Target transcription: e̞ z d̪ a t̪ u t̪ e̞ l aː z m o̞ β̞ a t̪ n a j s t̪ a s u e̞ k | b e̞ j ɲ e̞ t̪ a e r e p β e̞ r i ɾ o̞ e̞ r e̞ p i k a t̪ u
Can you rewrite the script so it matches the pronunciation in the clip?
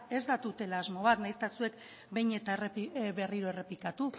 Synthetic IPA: e̞ z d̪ a t̪ u t̪ e̞ l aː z m o̞ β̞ a t̪ n a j s t̪ a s u e̞ k | b e̞ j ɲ e̞ t̪ a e r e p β e̞ r i ɾ o̞ e̞ r e̞ p i k a t̪ u

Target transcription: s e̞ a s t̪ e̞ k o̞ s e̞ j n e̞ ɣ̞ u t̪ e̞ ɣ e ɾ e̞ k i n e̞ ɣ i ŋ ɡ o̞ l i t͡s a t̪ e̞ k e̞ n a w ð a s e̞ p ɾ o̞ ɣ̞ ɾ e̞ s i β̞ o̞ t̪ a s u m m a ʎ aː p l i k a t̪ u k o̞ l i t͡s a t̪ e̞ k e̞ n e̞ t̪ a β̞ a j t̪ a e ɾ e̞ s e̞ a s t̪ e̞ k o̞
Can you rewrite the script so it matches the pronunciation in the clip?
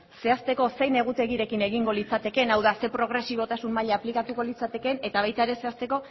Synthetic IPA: s e̞ a s t̪ e̞ k o̞ s e̞ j n e̞ ɣ̞ u t̪ e̞ ɣ i ɾ e̞ k i n e̞ ɣ i ŋ ɡ o̞ l i t͡s a t̪ e̞ k e̞ n a w ð a s e̞ p ɾ o̞ ɣ̞ ɾ e̞ s i β̞ o̞ t̪ a s u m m a ʎ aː p l i k a t̪ u k o̞ l i t͡s a t̪ e̞ k e̞ n e̞ t̪ a β̞ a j t̪ a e ɾ e̞ s e̞ a s t̪ e̞ k o̞

